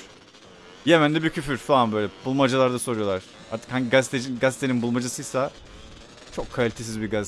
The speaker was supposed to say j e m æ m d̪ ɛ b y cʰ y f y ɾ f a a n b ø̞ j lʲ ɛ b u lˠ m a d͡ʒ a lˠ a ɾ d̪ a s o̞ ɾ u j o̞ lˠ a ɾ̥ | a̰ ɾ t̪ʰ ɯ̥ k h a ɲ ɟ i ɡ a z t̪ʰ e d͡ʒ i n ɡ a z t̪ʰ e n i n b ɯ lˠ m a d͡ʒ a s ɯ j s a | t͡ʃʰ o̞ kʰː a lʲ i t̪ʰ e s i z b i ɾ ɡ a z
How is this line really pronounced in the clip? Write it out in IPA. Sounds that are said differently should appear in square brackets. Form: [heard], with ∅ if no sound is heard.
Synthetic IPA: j e m æ [n] d̪ ɛ b [i] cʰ y f y ɾ f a a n b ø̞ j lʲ ɛ b u lˠ m a d͡ʒ a lˠ a ɾ d̪ a s o̞ ɾ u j o̞ lˠ a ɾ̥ | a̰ ɾ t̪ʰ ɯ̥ k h a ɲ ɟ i ɡ a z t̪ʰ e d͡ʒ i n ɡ a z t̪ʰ e n i n b [u] lˠ m a d͡ʒ a s ɯ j s a | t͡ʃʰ o̞ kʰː a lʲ i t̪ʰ e s i z b i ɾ ɡ a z